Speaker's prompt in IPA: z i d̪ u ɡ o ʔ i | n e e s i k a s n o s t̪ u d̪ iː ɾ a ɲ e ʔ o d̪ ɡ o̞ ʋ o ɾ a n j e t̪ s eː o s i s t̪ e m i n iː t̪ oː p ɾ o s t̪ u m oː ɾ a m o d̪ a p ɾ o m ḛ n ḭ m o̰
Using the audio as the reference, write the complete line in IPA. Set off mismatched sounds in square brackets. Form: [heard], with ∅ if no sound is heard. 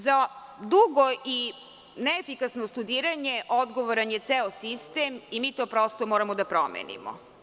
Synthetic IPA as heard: z [a] d̪ u ɡ o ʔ i | n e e [f] i k a s n o s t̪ u d̪ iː ɾ a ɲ e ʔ o d̪ ɡ o̞ ʋ o ɾ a n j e t̪ s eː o s i s t̪ e m i [m] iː t̪ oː p ɾ o s t̪ [o] m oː ɾ a m o d̪ a p ɾ o m ḛ n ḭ m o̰

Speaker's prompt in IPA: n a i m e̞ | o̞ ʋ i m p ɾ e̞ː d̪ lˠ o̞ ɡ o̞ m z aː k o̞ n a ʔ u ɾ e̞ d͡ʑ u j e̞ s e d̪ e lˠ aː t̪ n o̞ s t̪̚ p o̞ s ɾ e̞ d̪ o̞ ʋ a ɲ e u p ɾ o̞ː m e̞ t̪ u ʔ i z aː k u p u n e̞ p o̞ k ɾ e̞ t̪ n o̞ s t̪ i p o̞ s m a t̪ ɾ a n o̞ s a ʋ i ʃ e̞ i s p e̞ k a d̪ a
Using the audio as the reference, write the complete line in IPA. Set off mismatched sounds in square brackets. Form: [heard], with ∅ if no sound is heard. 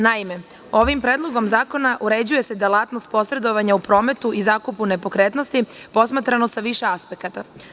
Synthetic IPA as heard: n a i m e̞ | o̞ ʋ i m p ɾ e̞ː d̪ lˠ o̞ ɡ o̞ m z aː k o̞ n a ʔ u ɾ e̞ d͡ʑ u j e̞ s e d̪ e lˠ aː t̪ n o̞ s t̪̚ p o̞ s ɾ e̞ d̪ o̞ ʋ a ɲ [a] u p ɾ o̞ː m e̞ t̪ u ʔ i z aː k u p u n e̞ p o̞ k ɾ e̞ t̪ n o̞ s t̪ i p o̞ s m a t̪ ɾ a n o̞ s a ʋ i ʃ e̞ [a] s p e̞ k a [t̪] a

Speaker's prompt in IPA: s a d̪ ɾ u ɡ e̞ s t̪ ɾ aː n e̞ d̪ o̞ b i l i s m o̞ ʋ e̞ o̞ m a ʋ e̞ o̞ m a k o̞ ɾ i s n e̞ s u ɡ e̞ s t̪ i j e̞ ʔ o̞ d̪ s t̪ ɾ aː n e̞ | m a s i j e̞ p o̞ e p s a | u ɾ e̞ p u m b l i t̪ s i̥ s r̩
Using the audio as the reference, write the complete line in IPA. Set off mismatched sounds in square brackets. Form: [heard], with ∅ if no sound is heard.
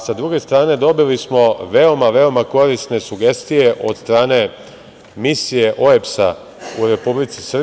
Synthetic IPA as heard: s a d̪ ɾ u ɡ e̞ s t̪ ɾ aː n e̞ d̪ o̞ b i l i s m o̞ ʋ e̞ o̞ m a ʋ e̞ o̞ m a k o̞ ɾ i s n e̞ s u ɡ e̞ s t̪ i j e̞ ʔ o̞ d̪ s t̪ ɾ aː n e̞ | m [i] s i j e̞ [ʔ] o̞ e p s a | u ɾ e̞ p u [∅] b l i t̪ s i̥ s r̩

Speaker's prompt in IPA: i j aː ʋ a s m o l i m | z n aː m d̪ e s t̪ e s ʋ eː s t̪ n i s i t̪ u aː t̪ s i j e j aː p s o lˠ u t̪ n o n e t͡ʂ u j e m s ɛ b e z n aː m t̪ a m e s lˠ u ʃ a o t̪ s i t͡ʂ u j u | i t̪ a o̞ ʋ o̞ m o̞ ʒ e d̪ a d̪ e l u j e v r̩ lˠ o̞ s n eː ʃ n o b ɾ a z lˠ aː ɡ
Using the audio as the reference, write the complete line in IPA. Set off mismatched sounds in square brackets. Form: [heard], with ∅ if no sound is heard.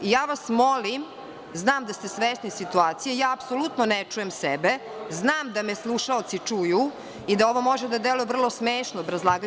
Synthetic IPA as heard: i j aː ʋ a s m o l i m | z n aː m d̪ [a] s t̪ e s ʋ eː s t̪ n i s i t̪ u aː t̪ s i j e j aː p s o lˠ u t̪ n o n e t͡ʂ u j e m s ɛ b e z n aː m [d̪] a m e s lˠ u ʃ a o t̪ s i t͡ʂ u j u | i [d̪] a o̞ ʋ o̞ m o̞ ʒ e d̪ a d̪ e l u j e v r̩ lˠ o̞ s [m] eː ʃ n o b ɾ a z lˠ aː ɡ

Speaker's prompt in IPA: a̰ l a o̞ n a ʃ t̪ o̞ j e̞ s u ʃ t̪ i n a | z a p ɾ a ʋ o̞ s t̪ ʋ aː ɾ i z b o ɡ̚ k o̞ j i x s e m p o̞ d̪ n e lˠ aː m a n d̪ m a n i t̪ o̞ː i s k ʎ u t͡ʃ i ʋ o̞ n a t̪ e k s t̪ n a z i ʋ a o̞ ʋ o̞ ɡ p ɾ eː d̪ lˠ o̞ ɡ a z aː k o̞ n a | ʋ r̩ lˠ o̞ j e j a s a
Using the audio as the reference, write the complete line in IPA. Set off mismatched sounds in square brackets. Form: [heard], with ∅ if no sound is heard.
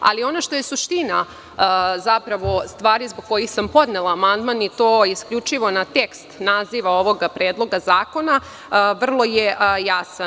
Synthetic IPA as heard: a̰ l [i] o̞ n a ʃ t̪ o̞ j e̞ s u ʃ t̪ i n a | z a p ɾ a ʋ o̞ s t̪ ʋ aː ɾ i z b o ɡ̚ k o̞ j i x s [a] m p o̞ d̪ n e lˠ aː m a n d̪ m a n i t̪ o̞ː i s k ʎ u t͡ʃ i ʋ o̞ n a t̪ e k s t̪ n a z i ʋ a o̞ ʋ o̞ ɡ p ɾ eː d̪ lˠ o̞ ɡ a z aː k o̞ n a | ʋ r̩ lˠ o̞ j e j a s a

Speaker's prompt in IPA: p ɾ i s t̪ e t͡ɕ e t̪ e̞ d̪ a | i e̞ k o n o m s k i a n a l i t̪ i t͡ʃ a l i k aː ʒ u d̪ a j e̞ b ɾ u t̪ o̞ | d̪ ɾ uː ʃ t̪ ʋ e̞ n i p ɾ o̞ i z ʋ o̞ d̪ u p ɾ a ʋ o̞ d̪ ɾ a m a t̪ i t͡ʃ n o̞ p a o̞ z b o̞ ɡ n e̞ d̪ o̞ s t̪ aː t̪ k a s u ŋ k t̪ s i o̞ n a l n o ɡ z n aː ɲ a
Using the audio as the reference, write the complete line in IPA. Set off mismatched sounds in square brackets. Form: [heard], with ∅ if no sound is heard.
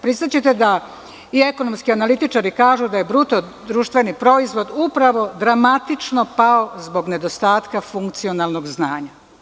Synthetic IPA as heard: p ɾ i s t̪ [a] t͡ɕ e t̪ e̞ d̪ a | i e̞ k o n o m s k i a n a l i t̪ i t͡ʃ a [ɾ] i k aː ʒ u d̪ a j e̞ b ɾ u t̪ o̞ | d̪ ɾ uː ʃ t̪ ʋ e̞ n i p ɾ o̞ i z ʋ o̞ d̪ u p ɾ a ʋ o̞ d̪ ɾ a m a t̪ i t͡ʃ n o̞ p a o̞ z b o̞ ɡ n e̞ d̪ o̞ s t̪ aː t̪ k a [f] u ŋ k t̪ s i o̞ n a l n o ɡ z n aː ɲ a

